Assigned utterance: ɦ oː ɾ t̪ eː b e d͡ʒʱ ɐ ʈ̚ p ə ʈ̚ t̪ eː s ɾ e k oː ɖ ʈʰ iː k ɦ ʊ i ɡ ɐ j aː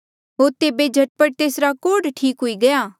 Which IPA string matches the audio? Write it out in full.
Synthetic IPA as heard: ɦ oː ɾ t̪ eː b e d͡ʒʱ ɐ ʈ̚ p ə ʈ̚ t̪ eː s ɾ a k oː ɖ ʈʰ iː k ɦ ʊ i ɡ ɐ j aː